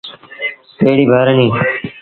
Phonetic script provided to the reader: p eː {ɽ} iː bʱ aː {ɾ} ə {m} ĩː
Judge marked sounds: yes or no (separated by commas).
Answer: yes, yes, no